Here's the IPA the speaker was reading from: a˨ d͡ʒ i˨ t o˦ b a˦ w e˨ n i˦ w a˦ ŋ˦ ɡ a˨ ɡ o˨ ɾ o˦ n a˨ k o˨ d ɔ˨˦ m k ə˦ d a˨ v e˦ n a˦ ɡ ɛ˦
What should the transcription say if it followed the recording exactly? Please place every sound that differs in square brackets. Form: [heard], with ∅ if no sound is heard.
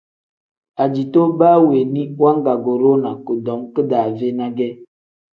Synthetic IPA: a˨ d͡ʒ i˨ t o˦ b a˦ w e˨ n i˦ w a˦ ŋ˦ ɡ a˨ ɡ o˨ ɾ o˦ n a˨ k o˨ d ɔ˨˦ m k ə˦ d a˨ v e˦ n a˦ ɡ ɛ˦